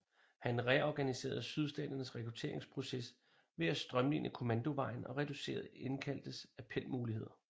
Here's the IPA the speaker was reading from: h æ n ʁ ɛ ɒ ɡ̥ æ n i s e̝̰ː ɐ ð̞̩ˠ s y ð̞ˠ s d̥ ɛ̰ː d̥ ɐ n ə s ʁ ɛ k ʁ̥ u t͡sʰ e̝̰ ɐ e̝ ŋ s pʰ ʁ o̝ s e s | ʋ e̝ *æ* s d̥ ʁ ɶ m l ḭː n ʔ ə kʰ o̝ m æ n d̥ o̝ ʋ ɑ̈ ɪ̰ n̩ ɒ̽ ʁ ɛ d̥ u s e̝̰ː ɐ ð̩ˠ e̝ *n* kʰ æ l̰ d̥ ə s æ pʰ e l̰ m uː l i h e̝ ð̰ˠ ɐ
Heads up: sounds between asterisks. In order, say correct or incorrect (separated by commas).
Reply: correct, correct